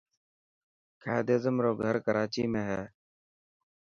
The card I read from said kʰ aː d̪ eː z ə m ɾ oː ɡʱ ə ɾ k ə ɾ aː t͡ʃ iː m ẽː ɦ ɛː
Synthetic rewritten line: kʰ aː d̪ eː z ə m ɾ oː ɡʱ ə ɾ k ə ɾ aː t͡ʃ iː m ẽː ɦ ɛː